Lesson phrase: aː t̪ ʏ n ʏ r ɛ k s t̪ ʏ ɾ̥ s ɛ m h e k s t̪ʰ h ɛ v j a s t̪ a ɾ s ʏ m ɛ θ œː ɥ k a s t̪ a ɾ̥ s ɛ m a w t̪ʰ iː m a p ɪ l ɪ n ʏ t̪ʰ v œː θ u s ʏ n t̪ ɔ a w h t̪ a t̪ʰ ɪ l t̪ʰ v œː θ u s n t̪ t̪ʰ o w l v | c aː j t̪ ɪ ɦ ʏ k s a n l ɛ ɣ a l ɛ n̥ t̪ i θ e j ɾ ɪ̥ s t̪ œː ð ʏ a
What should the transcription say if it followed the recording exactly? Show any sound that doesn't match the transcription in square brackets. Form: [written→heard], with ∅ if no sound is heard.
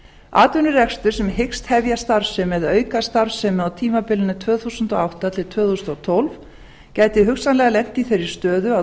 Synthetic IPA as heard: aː t̪ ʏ n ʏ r ɛ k s t̪ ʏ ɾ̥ s ɛ m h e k s [t̪ʰ→t̪] h ɛ v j a s t̪ a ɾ s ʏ m ɛ [θ→ð] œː ɥ k a s t̪ a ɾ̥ s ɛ m a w t̪ʰ iː m a p ɪ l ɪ n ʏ t̪ʰ v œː θ u s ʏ n t̪ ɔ a w h t̪ a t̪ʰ ɪ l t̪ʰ v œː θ u s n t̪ t̪ʰ o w l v | c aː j t̪ ɪ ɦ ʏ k s a n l ɛ ɣ a l ɛ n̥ t̪ i θ e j ɾ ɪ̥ s t̪ œː ð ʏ a